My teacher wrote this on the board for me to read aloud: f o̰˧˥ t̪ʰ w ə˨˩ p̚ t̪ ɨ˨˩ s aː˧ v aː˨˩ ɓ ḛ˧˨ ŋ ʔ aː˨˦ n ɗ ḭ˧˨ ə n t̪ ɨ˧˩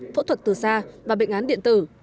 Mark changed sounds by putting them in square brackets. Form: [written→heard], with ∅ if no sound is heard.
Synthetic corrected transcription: f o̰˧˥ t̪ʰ w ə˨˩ [p̚→t̚] t̪ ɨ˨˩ s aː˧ v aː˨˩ ɓ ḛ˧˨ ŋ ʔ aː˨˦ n ɗ ḭ˧˨ ə n t̪ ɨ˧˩